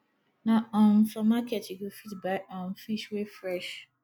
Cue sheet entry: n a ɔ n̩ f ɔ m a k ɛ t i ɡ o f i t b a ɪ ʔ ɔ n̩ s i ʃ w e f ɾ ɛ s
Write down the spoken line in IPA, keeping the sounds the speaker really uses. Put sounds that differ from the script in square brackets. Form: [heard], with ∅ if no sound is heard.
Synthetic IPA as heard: n a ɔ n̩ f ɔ m a k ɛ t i ɡ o f i t b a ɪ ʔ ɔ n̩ [f] i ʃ w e f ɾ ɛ [ʃ]